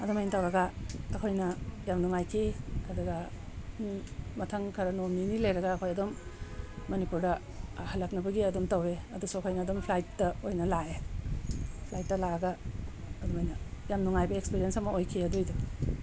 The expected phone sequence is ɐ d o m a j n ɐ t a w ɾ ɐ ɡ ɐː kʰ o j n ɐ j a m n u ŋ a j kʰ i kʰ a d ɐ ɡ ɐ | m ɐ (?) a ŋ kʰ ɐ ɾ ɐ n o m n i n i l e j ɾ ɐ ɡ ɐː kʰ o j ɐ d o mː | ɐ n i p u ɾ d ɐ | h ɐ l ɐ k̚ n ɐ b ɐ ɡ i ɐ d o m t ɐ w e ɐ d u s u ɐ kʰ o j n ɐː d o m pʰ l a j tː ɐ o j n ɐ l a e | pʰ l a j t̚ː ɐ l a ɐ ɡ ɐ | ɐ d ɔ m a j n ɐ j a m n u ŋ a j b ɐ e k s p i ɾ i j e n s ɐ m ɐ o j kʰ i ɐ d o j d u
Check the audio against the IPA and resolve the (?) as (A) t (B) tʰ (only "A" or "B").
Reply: B